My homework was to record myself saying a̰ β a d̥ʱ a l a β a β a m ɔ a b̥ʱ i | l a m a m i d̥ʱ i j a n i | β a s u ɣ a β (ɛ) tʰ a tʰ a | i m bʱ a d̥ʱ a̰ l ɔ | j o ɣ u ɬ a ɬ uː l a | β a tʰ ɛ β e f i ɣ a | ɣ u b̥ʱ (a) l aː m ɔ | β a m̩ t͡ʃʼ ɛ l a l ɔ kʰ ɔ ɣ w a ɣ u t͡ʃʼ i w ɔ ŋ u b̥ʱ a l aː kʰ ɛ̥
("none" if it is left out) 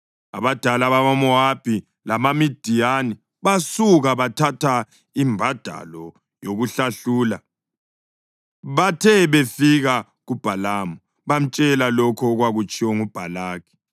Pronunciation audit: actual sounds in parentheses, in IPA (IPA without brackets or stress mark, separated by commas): a, a